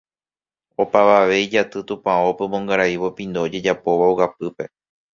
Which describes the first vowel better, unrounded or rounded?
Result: rounded